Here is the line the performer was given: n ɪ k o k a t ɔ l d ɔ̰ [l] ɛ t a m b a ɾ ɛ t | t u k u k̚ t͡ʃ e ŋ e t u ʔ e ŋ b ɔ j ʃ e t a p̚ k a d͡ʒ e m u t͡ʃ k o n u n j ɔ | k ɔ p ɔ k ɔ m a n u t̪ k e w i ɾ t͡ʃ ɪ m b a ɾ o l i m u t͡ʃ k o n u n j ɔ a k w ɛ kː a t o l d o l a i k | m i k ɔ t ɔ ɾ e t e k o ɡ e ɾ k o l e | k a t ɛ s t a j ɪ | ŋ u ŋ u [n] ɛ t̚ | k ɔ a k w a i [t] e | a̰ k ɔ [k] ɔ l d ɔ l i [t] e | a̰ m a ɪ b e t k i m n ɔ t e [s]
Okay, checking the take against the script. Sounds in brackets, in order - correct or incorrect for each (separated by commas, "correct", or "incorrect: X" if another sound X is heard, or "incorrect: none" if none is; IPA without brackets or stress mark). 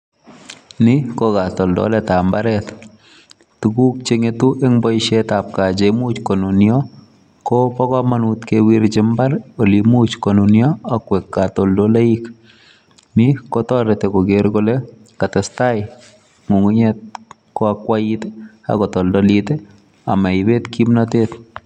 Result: correct, incorrect: ɲ, correct, incorrect: t, correct, incorrect: t